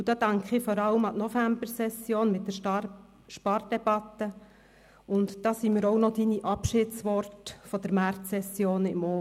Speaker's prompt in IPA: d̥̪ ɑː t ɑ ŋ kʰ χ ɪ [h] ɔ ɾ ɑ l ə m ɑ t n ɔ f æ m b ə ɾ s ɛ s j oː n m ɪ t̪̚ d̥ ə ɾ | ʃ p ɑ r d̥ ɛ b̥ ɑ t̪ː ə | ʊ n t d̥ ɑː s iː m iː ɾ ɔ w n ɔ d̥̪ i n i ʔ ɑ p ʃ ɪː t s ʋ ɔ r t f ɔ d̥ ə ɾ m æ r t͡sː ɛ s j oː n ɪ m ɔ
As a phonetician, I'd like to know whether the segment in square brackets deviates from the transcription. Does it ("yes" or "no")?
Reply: yes